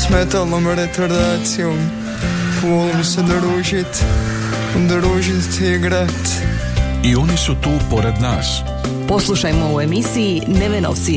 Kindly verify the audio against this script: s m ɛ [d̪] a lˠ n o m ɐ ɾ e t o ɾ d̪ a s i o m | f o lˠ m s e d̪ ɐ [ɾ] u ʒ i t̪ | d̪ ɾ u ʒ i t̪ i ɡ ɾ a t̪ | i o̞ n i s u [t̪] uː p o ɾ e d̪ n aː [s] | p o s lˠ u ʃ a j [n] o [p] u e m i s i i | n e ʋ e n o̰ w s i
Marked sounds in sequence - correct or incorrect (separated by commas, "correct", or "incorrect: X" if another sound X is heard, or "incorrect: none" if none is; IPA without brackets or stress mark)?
incorrect: t̪, correct, correct, correct, incorrect: m, incorrect: none